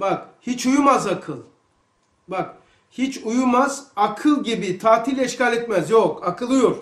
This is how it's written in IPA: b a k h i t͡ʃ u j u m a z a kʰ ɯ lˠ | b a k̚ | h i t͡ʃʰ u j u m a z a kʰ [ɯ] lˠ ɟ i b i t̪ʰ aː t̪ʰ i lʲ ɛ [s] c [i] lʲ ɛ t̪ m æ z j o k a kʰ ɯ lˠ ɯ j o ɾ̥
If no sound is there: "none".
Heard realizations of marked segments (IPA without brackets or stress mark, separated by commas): ɯ, ʃ, a